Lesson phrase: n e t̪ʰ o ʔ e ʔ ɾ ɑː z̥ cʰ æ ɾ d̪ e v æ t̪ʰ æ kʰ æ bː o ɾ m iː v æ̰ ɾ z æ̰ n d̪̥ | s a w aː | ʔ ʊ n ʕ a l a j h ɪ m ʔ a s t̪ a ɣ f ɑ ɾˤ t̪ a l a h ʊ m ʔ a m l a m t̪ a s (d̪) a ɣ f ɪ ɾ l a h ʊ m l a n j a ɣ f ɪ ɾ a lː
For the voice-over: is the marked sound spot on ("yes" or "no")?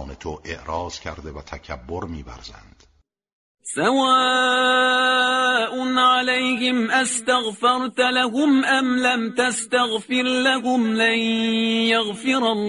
no